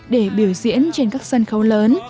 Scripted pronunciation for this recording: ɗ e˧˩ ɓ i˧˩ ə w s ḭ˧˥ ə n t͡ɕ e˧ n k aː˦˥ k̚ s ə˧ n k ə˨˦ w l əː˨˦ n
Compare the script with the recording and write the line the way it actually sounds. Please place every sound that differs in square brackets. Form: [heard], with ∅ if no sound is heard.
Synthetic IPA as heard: ɗ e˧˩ ɓ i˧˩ ə w [z] ḭ˧˥ ə n t͡ɕ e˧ n k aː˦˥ k̚ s ə˧ n [x] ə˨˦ w l əː˨˦ n